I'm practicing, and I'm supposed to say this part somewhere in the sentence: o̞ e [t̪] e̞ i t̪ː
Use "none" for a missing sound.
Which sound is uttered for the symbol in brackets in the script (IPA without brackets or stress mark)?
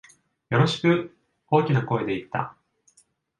d̪